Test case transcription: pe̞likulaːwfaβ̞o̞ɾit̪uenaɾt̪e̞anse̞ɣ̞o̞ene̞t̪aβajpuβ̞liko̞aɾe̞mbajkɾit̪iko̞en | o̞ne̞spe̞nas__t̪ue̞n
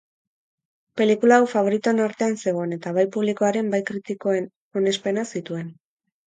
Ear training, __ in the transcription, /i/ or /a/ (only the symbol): i